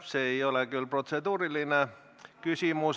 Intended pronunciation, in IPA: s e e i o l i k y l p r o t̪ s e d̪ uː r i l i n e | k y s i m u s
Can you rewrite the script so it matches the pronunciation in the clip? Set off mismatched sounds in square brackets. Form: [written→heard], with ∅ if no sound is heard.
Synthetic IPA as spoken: s e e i o l [i→e] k y l p r o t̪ s e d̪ uː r i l i n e | k y s i m u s